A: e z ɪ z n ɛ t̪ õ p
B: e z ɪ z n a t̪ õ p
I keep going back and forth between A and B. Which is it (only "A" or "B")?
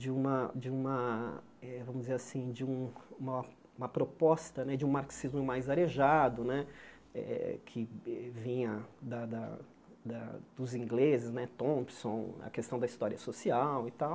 A